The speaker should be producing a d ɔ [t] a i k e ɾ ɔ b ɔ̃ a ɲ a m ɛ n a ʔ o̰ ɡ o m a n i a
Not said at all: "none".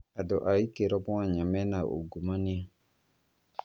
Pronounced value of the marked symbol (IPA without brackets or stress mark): ʔ